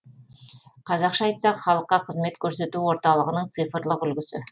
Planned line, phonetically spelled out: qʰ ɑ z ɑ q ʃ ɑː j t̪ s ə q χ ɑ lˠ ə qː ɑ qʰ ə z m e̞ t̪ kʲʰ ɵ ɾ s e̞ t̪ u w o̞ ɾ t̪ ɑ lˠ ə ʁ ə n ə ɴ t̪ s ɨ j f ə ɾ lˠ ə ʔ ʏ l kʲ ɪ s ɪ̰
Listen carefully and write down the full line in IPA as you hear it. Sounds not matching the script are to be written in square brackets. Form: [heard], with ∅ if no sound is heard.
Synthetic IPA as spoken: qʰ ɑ z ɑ q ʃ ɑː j t̪ s [ɑ] q χ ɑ lˠ ə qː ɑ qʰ ə z m e̞ t̪ kʲʰ ɵ ɾ s e̞ t̪ u w o̞ ɾ t̪ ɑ lˠ ə ʁ ə n ə ɴ t̪ s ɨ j f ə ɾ lˠ ə [q] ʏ l [ɡʲ] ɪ s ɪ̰